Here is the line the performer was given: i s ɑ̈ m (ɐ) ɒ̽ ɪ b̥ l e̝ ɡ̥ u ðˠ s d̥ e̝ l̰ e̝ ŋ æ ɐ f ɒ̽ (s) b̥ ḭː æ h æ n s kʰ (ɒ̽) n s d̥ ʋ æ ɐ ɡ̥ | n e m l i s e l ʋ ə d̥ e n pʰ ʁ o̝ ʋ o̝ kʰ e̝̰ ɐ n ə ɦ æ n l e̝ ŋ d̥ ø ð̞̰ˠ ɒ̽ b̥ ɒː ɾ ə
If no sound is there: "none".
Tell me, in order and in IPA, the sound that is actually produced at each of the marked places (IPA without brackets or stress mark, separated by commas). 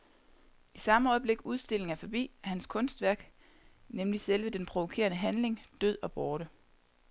ə, none, ɔ̽